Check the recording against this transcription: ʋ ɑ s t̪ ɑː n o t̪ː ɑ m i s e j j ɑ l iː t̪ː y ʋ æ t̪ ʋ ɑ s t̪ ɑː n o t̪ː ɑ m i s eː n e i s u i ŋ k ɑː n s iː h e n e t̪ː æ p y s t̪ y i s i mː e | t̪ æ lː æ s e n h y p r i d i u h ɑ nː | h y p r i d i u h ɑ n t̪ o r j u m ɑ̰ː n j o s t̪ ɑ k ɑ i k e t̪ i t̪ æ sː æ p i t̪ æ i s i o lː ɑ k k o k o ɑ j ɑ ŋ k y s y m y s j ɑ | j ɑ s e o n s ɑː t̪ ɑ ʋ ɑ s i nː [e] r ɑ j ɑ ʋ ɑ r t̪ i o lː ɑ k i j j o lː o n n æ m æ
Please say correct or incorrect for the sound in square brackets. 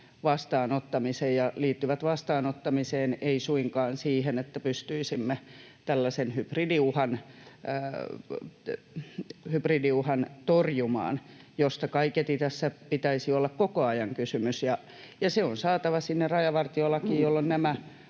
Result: correct